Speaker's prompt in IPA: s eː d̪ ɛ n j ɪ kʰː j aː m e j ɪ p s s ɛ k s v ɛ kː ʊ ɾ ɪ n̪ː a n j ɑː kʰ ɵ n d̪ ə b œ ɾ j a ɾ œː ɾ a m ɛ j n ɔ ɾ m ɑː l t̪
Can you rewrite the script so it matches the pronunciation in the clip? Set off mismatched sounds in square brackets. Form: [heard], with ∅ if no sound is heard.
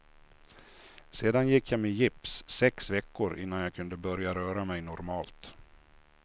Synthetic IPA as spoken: s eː d̪ [a] n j ɪ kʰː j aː m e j ɪ p s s ɛ k s v ɛ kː ʊ ɾ ɪ n̪ː a n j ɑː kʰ ɵ n d̪ ə b œ ɾ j a ɾ œː ɾ a m ɛ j n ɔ ɾ m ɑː l t̪

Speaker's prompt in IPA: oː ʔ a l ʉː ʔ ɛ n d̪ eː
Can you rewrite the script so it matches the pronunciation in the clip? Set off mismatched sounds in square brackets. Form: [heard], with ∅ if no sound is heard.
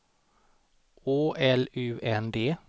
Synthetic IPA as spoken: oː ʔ [ɛ] l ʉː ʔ ɛ n d̪ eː

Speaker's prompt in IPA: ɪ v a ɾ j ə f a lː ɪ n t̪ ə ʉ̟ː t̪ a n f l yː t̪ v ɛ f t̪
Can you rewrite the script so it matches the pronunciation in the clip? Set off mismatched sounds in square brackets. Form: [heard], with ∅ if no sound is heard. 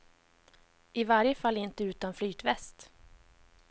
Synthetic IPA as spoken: ɪ v a ɾ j ə f a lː ɪ n t̪ ə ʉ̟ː t̪ a n f l yː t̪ v ɛ [s] t̪

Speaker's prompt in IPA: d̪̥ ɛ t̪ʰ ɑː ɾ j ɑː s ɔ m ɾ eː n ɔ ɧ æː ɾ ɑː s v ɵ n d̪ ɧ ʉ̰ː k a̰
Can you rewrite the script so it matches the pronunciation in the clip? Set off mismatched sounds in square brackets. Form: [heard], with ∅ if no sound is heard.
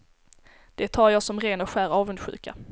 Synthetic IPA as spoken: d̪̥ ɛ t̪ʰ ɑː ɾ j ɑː s ɔ m ɾ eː n ɔ ɧ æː ɾ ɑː [∅] v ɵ n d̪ ɧ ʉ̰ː k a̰

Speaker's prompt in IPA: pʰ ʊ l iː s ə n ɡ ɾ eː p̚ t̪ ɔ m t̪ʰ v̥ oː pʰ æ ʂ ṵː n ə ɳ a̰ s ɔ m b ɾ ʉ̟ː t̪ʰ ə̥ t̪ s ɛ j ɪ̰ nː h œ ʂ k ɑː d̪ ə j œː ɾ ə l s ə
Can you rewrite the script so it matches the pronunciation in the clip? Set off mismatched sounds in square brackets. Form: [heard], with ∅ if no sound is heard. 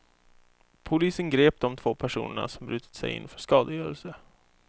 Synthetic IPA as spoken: pʰ ʊ l iː s ə n ɡ ɾ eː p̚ [d̪] ɔ m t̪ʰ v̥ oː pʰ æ ʂ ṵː n ə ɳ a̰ s ɔ m b ɾ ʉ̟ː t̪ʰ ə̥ t̪ s ɛ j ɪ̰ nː [f] œ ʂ k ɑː d̪ ə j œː ɾ ə l s ə

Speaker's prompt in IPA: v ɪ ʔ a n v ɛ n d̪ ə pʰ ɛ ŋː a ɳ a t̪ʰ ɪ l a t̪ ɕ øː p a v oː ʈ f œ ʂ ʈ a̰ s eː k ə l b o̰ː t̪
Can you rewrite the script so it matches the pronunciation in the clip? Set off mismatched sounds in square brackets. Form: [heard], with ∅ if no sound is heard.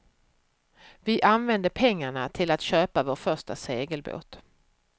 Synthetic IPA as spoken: v ɪ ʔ a n v ɛ n d̪ ə pʰ ɛ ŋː a ɳ a t̪ʰ ɪ l a t̪ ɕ øː p a v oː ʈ f œ ʂ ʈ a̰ s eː [ɡ] ə l b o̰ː t̪

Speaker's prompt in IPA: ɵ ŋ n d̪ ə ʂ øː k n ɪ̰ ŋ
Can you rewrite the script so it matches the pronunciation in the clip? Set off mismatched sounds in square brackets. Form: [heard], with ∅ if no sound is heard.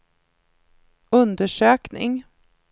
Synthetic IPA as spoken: ɵ [∅] n d̪ ə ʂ øː k n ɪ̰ ŋ

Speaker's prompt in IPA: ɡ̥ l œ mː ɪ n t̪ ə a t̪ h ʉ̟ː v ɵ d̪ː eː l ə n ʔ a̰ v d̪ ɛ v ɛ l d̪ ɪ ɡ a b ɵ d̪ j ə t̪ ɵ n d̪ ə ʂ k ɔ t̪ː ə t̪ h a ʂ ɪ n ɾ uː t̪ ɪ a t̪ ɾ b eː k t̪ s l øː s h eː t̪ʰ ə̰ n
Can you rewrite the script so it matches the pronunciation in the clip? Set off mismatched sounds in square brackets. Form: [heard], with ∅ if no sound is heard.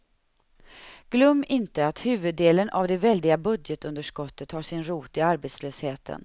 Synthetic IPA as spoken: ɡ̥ l œ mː ɪ n t̪ ə a t̪ h ʉ̟ː v ɵ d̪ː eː l ə n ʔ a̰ v d̪ ɛ v ɛ l d̪ ɪ ɡ a b ɵ d̪ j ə t̪ ɵ n d̪ ə ʂ k ɔ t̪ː ə t̪ h a ʂ ɪ n ɾ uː t̪ ɪ a [∅] ɾ b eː [∅] t̪ s l øː s h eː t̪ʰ ə̰ n

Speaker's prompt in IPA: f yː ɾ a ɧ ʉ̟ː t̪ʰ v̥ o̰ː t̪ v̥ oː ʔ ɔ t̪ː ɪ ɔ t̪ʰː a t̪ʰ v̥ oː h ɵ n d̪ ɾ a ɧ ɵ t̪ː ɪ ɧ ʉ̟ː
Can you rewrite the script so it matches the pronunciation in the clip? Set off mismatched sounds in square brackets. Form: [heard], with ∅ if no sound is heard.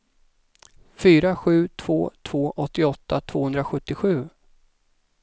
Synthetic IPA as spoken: f yː ɾ a ɧ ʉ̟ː t̪ʰ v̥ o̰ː [t̪ʰ] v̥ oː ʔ ɔ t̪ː ɪ ɔ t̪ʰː a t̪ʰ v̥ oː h ɵ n d̪ ɾ a ɧ ɵ t̪ː ɪ ɧ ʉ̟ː

